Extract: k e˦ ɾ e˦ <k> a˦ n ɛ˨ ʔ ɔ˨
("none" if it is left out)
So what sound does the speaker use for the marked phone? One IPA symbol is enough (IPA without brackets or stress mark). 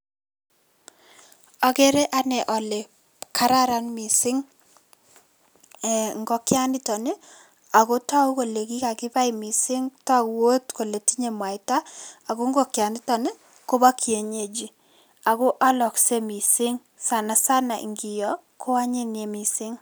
ʔ